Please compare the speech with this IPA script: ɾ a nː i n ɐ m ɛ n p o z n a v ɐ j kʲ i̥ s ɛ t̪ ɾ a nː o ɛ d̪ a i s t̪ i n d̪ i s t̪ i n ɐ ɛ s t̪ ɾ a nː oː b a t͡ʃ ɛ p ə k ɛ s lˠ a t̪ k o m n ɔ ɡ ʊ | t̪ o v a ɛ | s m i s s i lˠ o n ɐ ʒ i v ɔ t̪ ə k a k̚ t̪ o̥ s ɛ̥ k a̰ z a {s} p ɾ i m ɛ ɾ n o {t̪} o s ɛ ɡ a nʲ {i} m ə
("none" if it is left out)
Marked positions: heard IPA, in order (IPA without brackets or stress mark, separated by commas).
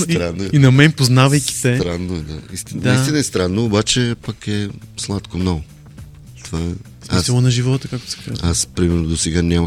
s, d̪, a